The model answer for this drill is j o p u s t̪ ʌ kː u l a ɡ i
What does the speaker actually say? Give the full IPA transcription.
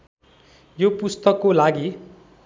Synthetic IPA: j o p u s t̪ ʌ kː o l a ɡ i